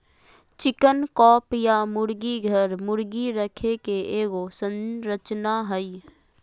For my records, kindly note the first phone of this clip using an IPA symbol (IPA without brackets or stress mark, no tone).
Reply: t͡ʃ